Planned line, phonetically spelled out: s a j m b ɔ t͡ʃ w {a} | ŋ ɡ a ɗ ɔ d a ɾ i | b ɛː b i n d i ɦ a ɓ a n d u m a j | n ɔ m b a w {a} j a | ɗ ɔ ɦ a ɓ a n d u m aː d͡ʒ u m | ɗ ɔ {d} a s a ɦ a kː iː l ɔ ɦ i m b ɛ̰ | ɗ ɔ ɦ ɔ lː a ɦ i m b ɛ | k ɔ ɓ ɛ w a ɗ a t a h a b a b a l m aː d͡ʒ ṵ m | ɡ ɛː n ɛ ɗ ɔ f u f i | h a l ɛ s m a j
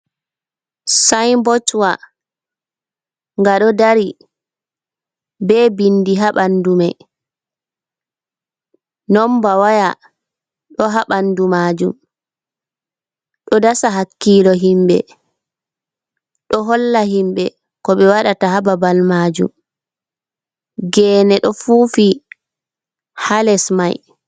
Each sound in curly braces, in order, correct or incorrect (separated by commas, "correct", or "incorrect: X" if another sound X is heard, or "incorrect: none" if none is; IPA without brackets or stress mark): correct, correct, correct